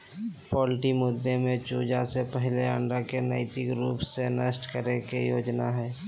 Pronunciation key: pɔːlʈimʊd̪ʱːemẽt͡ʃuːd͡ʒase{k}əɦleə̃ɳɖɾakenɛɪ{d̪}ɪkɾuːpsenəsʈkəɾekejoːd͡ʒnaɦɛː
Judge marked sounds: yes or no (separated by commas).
no, no